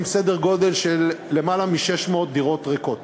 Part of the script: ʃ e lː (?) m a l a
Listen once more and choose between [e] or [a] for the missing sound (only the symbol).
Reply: e